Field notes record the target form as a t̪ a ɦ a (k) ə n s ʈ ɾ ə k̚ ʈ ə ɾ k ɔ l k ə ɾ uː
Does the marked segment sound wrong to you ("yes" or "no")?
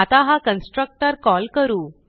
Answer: no